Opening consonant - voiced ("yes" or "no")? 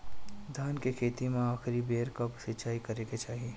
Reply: yes